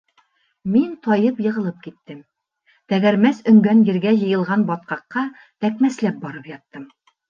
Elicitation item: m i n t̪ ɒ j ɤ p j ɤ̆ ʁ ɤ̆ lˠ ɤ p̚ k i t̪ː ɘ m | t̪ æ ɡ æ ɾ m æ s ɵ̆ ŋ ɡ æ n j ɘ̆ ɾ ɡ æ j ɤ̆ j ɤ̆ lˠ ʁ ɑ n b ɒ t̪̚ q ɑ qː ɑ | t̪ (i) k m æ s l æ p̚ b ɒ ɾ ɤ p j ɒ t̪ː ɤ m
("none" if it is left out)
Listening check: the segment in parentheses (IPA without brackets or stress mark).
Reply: æ